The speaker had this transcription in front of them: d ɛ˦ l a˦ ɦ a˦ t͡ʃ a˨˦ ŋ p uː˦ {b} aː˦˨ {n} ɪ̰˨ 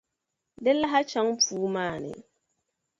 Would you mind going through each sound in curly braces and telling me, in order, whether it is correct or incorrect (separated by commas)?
incorrect, correct